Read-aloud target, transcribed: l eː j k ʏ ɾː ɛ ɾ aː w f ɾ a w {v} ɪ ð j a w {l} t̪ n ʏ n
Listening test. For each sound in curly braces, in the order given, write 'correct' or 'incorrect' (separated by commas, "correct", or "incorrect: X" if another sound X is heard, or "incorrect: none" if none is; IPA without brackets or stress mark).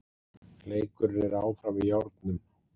correct, incorrect: ɾ